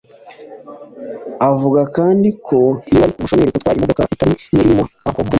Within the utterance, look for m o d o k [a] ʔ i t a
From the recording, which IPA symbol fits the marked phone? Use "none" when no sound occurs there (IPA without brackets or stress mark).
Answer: a